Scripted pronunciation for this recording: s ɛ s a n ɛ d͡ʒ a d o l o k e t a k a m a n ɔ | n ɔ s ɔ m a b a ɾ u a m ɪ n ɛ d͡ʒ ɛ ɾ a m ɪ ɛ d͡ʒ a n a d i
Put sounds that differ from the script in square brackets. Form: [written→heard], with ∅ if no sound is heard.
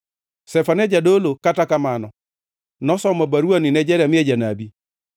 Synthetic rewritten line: s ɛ [s→f] a n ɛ d͡ʒ a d o l o k [e→a] t a k a m a n ɔ | n ɔ s ɔ m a b a ɾ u a [m→n] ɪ n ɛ d͡ʒ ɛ ɾ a m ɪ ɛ d͡ʒ a n a [d→b] i